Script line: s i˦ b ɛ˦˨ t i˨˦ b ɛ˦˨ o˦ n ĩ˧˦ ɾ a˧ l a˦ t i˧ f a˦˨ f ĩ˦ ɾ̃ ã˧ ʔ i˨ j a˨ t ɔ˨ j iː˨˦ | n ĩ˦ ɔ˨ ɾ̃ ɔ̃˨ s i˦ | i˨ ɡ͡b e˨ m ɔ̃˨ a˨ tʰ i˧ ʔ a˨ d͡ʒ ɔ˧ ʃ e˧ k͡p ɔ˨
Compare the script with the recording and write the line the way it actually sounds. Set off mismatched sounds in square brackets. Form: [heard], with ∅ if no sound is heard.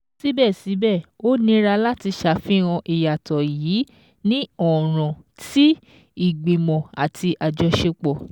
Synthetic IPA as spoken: s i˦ b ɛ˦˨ [s] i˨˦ b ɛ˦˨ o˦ n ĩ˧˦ ɾ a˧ l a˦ t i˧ [ʃ] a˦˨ f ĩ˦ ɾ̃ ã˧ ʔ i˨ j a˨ t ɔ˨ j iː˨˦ | n ĩ˦ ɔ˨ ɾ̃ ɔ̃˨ [t] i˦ | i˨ ɡ͡b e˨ m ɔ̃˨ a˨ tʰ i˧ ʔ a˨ d͡ʒ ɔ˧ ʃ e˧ k͡p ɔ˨